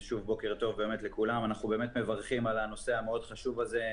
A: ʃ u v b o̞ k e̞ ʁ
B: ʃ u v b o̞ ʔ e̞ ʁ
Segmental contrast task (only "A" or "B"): A